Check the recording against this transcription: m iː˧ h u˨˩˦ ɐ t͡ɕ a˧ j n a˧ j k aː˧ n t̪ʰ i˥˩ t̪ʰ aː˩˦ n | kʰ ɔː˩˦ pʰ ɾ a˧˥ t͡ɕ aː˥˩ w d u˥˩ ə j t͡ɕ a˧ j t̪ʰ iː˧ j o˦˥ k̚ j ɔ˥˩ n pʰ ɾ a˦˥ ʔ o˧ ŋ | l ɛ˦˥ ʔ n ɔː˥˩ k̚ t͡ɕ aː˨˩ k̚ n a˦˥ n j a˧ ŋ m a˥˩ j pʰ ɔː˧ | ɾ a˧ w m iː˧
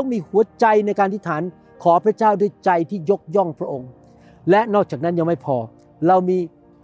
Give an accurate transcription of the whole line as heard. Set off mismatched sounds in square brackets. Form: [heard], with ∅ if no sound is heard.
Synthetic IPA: m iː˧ h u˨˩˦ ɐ t͡ɕ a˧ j n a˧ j k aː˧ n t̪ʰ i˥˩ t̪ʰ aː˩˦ n | kʰ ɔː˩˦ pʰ ɾ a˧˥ t͡ɕ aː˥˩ w d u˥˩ ə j t͡ɕ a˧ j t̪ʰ [iː˥˩] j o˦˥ k̚ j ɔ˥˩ [ŋ] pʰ ɾ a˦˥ ʔ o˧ ŋ | l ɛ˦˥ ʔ n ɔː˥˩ k̚ t͡ɕ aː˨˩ k̚ n a˦˥ n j a˧ ŋ m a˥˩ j pʰ ɔː˧ | ɾ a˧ w m iː˧